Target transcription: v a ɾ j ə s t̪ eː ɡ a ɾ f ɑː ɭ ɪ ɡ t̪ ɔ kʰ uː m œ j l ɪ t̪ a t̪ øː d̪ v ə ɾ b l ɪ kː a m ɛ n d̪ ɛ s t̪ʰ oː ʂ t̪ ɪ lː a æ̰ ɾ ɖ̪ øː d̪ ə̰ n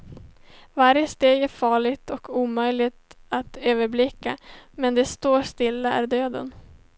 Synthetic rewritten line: v a ɾ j ə s t̪ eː ɡ æ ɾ f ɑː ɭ ɪ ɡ t̪ ɔ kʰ uː m œ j l ɪ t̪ a t̪ øː v ə ɾ b l ɪ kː a m ɛ n d̪ ɛ s t̪ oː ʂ t̪ ɪ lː a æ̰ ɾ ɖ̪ øː d̪ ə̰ n